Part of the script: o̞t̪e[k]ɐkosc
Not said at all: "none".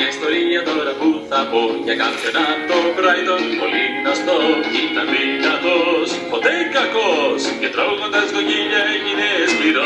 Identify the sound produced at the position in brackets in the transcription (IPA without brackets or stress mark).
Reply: k